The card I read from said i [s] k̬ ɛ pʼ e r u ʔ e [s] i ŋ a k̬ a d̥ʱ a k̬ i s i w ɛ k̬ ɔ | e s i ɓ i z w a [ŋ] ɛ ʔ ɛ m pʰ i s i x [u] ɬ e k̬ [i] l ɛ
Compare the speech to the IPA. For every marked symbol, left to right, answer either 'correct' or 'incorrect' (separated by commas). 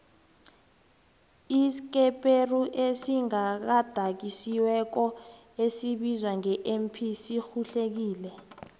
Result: correct, correct, correct, correct, incorrect